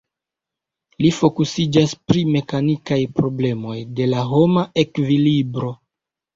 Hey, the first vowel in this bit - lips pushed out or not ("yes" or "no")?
no